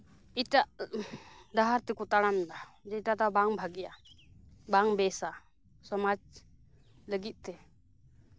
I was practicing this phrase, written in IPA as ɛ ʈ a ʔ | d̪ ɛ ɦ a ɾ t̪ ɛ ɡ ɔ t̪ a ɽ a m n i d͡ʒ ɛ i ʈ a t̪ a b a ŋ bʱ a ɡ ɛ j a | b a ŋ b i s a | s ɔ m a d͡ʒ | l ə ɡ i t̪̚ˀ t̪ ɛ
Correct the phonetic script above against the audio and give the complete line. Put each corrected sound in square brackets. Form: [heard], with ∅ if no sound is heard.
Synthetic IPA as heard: [i] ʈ a ʔ | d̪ [a] ɦ a ɾ t̪ ɛ [k] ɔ t̪ a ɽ a m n [a] d͡ʒ ɛ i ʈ a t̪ a b a ŋ bʱ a ɡ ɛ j a | b a ŋ b [ɛ] s a | s ɔ m a d͡ʒ | l ə ɡ i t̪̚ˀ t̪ ɛ

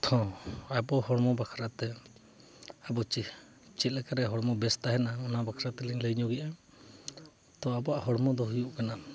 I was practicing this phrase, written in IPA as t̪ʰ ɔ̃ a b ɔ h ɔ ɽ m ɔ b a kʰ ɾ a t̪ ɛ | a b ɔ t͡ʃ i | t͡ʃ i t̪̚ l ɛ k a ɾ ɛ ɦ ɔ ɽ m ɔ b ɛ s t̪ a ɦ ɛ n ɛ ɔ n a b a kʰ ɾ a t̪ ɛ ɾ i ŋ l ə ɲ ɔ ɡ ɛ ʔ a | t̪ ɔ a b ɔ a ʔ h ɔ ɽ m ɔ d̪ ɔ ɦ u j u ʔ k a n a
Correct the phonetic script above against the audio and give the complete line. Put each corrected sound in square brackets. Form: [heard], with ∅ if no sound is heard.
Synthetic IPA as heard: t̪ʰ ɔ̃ a b ɔ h ɔ ɽ m ɔ b a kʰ ɾ a t̪ ɛ | a b ɔ t͡ʃ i | t͡ʃ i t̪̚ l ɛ k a ɾ ɛ ɦ ɔ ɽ m ɔ b ɛ s t̪ a ɦ ɛ n [a] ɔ n a b a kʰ ɾ a t̪ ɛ [l] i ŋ l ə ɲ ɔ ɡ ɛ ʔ a | t̪ ɔ a b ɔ a ʔ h ɔ ɽ m ɔ d̪ ɔ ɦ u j u ʔ k a n a

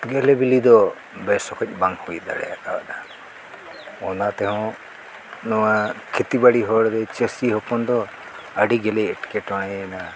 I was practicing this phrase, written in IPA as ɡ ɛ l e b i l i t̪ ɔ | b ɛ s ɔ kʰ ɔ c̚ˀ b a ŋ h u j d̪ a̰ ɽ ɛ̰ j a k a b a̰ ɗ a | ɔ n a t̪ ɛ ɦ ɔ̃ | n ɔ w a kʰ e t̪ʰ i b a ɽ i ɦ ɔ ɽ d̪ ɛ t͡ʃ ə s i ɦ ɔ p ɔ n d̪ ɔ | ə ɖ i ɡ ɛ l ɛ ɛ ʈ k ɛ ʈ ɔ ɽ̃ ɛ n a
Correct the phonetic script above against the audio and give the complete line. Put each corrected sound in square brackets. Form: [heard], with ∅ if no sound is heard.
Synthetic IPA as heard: ɡ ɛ l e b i l i [d̪] ɔ | b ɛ s ɔ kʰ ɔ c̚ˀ b a ŋ h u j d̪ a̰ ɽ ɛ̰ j a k a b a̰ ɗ a | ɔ n a t̪ ɛ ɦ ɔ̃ | n ɔ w a kʰ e [t̪] i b a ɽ i ɦ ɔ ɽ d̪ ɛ t͡ʃ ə s i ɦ ɔ p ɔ n d̪ ɔ | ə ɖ i ɡ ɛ l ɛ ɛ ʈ k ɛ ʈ ɔ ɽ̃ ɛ n a

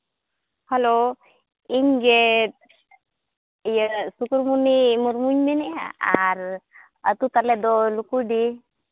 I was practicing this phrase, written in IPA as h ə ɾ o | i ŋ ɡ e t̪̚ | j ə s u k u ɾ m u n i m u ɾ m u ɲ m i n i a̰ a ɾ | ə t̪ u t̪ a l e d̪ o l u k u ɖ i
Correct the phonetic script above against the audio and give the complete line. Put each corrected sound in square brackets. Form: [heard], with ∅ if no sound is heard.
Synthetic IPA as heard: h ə [l] o | i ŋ ɡ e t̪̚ | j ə s u k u ɾ m u n i m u ɾ m u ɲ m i n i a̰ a ɾ | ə t̪ u t̪ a l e d̪ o l u k u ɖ i

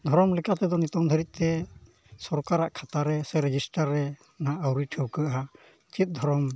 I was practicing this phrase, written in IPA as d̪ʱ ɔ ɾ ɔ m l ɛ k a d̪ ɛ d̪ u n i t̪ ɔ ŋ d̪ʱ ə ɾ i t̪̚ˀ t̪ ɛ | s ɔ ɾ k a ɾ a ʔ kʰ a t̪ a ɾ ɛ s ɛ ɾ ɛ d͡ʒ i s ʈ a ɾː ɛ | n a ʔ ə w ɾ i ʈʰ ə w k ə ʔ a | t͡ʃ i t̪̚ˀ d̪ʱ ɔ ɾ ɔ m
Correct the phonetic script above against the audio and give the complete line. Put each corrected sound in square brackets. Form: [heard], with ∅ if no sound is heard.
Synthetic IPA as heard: d̪ʱ ɔ ɾ ɔ m l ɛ k a [t̪] ɛ d̪ [ɔ] n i t̪ ɔ ŋ d̪ʱ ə ɾ i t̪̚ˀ t̪ ɛ | s ɔ ɾ k a ɾ a ʔ kʰ a t̪ a ɾ ɛ s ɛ ɾ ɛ d͡ʒ i s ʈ a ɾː ɛ | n a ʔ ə w ɾ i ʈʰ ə w k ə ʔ a | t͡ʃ i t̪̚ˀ d̪ʱ ɔ ɾ ɔ m

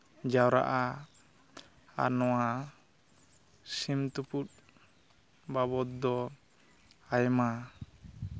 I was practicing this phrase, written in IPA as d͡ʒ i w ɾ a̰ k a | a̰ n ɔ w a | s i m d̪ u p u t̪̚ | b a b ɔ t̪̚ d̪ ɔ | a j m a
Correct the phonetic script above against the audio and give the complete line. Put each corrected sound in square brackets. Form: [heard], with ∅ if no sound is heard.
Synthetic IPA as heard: d͡ʒ [a] w ɾ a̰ [ʔ] a | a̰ n ɔ w a | s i m [t̪] u p u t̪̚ | b a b ɔ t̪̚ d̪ ɔ | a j m a

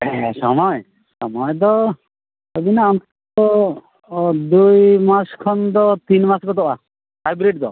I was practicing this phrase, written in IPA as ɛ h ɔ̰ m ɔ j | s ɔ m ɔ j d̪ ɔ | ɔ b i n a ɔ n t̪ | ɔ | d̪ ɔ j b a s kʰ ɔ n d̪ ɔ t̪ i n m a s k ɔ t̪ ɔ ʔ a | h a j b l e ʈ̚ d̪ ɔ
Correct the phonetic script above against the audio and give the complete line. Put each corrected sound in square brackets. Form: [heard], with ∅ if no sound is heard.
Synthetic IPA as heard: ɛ [s] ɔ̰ m ɔ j | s ɔ m ɔ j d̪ ɔ | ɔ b i n a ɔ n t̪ | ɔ | d̪ [u] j [m] a s kʰ ɔ n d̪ ɔ t̪ i n m a s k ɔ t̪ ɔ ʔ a | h a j b [ɾ] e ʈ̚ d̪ ɔ

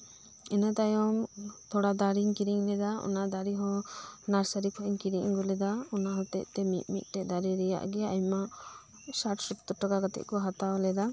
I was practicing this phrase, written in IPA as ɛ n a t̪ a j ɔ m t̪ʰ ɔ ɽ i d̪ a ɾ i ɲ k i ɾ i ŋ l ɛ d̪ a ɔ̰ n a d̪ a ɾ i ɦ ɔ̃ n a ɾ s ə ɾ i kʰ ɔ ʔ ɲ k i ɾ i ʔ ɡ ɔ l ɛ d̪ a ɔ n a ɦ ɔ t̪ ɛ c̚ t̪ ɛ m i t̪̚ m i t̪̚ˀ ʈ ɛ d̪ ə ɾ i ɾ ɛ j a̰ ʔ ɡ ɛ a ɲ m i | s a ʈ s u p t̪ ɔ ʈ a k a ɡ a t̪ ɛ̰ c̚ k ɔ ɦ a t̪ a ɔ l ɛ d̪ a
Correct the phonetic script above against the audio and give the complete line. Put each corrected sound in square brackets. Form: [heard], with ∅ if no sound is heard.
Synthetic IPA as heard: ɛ n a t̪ a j ɔ m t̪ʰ ɔ ɽ [a] d̪ a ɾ i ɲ k i ɾ i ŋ l ɛ d̪ a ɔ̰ n a d̪ a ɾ i ɦ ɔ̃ n a ɾ s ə ɾ i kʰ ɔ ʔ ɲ k i ɾ i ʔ ɡ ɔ l ɛ d̪ a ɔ n a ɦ ɔ t̪ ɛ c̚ t̪ ɛ m i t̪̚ m i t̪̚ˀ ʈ ɛ d̪ [a] ɾ i ɾ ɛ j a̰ ʔ ɡ ɛ a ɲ m [a] | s a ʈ s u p t̪ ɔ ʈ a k a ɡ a t̪ ɛ̰ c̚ k ɔ ɦ a t̪ a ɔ l ɛ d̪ a

